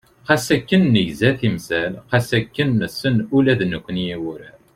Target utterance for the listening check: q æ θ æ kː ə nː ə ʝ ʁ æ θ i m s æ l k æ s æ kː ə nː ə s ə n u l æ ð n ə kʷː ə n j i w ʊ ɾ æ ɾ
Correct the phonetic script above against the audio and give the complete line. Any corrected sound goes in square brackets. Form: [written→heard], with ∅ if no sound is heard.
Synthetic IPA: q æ [θ→s] æ kː ə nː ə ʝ [ʁ→z] æ θ i m s æ l [k→q] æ s æ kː ə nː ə s ə n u l æ ð n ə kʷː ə n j i w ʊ ɾ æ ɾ